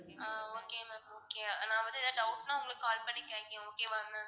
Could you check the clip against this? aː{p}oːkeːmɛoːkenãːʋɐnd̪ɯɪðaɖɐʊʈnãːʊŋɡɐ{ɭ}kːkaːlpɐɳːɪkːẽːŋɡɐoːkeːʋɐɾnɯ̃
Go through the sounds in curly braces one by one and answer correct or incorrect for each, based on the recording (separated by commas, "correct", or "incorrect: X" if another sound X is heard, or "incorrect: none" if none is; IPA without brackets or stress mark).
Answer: incorrect: none, correct